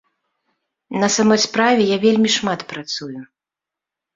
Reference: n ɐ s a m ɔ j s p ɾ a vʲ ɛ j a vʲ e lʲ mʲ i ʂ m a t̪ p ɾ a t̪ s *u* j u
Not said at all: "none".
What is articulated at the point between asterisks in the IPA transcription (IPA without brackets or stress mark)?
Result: u